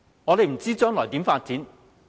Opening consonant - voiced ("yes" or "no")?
yes